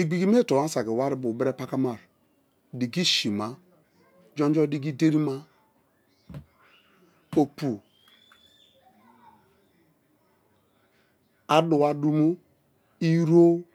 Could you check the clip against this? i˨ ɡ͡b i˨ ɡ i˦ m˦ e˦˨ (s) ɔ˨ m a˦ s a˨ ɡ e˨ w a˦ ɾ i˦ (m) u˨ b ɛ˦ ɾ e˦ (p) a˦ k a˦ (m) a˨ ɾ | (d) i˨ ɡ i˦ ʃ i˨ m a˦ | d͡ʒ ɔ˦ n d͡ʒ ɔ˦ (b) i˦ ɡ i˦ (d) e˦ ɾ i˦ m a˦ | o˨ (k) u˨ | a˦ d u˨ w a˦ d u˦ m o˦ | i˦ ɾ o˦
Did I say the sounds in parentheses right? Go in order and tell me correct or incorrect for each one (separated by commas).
incorrect, incorrect, correct, correct, correct, incorrect, correct, incorrect